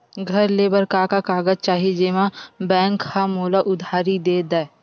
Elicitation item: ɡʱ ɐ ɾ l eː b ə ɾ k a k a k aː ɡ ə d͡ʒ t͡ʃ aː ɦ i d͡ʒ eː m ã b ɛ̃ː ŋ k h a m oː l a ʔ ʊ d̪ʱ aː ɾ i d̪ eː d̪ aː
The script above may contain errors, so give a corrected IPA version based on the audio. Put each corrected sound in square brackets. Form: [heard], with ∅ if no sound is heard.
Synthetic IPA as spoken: ɡʱ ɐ ɾ l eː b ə ɾ k a k a k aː ɡ ə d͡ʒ t͡ʃ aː ɦ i d͡ʒ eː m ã b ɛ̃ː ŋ k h a m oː l a ʔ ʊ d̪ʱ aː ɾ i d̪ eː d̪ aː